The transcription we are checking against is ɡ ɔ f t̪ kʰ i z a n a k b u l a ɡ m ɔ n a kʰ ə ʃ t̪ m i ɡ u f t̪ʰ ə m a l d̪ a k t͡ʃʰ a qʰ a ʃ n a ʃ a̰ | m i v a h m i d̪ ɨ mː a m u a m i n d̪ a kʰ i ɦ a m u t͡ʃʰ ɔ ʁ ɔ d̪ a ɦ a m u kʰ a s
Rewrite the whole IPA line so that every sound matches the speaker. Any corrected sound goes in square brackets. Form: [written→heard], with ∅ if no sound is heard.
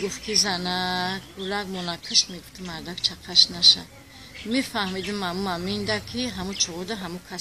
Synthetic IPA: ɡ [ɔ→u] f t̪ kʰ i z a n a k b u l a ɡ m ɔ n a kʰ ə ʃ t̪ m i ɡ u f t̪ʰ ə m a [l→ɾ] d̪ a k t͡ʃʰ a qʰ a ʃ n a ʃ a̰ | m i [v→f] a h m i d̪ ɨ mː a m u a m i n d̪ a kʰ i ɦ a m u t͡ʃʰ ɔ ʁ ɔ d̪ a ɦ a m u kʰ a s